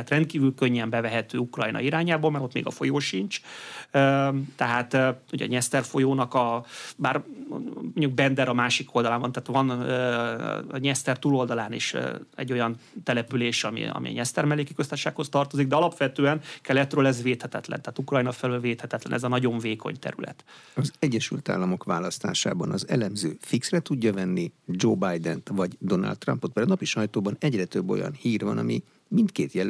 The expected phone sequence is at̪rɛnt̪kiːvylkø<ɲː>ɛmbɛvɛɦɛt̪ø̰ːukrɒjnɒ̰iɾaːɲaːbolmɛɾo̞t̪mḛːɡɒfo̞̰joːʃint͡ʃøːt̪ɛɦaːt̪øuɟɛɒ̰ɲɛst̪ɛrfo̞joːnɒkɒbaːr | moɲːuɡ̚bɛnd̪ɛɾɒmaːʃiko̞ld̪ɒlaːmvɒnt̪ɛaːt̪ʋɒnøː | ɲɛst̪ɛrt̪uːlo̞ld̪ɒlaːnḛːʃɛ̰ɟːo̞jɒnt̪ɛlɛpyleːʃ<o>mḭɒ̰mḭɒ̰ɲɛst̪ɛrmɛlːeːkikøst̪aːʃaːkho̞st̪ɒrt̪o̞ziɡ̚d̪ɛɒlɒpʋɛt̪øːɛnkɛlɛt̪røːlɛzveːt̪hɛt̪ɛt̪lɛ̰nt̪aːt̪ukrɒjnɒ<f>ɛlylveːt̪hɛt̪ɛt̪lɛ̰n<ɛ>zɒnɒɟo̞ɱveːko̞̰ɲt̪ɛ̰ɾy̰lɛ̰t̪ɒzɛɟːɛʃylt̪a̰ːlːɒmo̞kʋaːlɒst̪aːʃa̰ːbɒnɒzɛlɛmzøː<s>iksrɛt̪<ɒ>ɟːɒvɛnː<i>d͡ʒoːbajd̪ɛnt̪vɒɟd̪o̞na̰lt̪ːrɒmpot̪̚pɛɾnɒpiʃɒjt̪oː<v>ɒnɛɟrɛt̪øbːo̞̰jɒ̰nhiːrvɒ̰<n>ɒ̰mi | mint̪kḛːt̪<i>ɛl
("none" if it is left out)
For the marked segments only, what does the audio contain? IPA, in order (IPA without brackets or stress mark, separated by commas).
ɲː, ɒ, f, ɛ, f, u, i, b, n, j